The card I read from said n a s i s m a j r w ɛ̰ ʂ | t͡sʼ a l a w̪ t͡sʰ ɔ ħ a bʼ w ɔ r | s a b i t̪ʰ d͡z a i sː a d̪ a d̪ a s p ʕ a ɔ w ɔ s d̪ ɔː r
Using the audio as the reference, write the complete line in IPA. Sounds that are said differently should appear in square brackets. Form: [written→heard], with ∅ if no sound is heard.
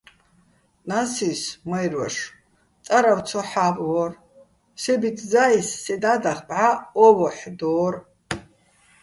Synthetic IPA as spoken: n a s i s m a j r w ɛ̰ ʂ | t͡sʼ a [l→ɾ] a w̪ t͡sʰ ɔ ħ a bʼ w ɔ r | s [a→ɛ] b i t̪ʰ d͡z a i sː [a→ɛ] d̪ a d̪ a [s→χ] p ʕ a ɔ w ɔ [s→ħ] d̪ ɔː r